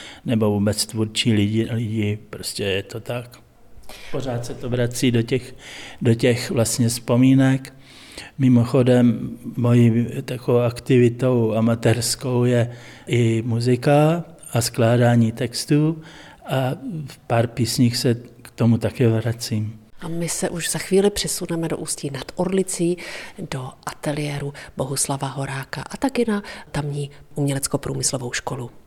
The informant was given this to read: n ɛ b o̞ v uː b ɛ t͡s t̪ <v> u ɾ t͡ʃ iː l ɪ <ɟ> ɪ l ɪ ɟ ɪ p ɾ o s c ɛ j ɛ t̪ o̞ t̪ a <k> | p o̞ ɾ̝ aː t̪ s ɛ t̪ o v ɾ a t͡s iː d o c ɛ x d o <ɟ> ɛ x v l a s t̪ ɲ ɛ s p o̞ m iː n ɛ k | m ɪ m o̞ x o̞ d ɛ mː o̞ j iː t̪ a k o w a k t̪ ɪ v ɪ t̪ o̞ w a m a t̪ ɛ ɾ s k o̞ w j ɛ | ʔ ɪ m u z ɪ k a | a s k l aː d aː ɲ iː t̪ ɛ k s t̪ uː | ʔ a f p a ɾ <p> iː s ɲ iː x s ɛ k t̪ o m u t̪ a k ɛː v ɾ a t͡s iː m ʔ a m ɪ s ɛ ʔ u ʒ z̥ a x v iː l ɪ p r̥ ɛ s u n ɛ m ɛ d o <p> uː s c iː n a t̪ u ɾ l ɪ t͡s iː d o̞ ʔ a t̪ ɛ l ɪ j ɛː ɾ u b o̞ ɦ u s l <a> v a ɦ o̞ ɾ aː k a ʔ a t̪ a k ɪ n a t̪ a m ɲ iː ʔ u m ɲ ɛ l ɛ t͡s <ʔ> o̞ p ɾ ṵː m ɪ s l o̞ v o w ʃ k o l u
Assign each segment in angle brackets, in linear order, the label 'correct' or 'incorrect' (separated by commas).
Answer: correct, correct, correct, incorrect, correct, incorrect, correct, incorrect